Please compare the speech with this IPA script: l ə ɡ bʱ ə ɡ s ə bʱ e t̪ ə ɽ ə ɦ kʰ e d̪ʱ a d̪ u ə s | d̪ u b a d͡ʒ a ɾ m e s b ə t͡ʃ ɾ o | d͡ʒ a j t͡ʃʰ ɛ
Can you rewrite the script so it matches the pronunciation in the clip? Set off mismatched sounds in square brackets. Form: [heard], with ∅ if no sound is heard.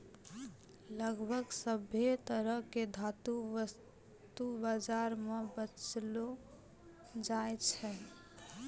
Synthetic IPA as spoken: l ə ɡ bʱ ə ɡ s ə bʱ e t̪ ə [ɾ] ə ɦ [k] e d̪ʱ a [t̪] u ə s | [t̪] u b a d͡ʒ a ɾ m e [∅] b ə t͡ʃ [l] o | d͡ʒ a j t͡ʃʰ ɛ